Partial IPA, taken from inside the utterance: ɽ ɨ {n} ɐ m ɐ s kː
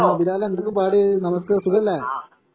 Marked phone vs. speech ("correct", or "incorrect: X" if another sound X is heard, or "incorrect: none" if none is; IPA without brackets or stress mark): correct